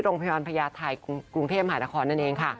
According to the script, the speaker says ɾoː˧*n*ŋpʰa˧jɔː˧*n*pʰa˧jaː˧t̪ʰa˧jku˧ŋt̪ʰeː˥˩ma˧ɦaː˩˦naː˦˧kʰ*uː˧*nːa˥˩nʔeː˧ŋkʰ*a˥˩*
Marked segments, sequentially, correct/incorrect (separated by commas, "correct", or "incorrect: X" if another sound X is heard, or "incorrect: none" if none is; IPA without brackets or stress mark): incorrect: none, correct, incorrect: ɔː˧, correct